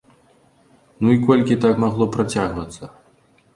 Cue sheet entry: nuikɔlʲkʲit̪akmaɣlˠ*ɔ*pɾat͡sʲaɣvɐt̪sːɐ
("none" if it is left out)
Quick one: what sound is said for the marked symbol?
ɔ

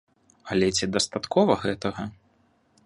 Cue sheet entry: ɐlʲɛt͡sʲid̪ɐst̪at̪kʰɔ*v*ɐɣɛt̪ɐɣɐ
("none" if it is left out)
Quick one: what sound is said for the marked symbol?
v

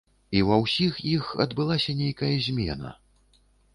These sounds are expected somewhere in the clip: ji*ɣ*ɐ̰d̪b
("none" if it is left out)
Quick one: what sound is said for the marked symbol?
x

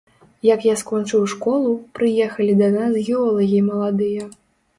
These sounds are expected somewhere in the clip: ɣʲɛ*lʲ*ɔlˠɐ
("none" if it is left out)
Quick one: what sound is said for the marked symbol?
none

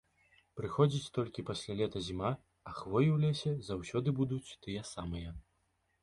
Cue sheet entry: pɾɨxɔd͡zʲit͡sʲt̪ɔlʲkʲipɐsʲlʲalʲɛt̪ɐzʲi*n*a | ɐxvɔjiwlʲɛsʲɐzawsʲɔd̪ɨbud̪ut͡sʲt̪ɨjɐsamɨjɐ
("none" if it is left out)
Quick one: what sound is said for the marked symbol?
m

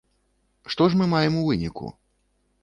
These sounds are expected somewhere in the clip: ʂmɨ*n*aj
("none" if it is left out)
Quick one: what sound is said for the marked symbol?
m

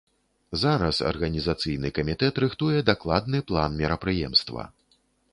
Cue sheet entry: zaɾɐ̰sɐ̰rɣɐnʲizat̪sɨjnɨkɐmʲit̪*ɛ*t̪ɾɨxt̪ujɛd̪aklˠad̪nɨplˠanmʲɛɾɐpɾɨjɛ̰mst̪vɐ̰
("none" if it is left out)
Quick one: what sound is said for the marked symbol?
ɛ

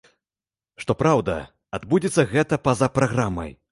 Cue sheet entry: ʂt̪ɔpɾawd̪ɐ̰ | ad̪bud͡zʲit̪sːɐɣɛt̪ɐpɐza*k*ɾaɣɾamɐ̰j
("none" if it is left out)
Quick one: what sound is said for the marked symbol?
p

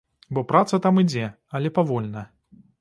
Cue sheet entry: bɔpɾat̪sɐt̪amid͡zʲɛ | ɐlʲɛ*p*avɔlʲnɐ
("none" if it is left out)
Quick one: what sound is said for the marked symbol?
p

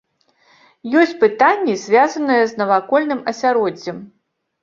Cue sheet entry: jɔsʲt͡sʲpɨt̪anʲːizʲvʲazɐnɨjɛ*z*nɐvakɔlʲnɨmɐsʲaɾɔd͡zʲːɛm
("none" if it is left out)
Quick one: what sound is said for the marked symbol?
z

